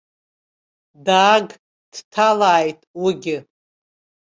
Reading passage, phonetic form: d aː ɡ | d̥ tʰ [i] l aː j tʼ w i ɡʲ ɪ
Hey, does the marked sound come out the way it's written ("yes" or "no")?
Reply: no